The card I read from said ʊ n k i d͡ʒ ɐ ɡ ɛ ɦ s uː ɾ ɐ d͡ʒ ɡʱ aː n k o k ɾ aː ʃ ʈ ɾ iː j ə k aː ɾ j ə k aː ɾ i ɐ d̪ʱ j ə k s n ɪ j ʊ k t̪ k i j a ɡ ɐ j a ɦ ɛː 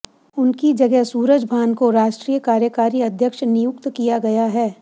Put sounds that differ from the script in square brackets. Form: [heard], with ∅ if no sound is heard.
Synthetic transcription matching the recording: ʊ n k i d͡ʒ ɐ ɡ ɛ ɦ s uː ɾ [ə] d͡ʒ [bʱ] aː n k o [∅] ɾ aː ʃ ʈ ɾ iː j ə k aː ɾ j ə k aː ɾ i ɐ d̪ʱ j ə k [ʃ] n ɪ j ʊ k t̪ k i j a ɡ ɐ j a ɦ ɛː